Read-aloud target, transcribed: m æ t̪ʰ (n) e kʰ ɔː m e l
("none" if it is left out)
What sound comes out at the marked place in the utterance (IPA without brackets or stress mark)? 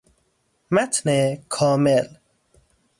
n